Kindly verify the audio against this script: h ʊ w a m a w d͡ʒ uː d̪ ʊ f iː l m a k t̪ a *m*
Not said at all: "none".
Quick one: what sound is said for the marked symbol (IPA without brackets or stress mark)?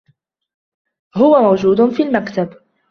b